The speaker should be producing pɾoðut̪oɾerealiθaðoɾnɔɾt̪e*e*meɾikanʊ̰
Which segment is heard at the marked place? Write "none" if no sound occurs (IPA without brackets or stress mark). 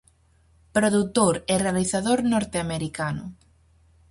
a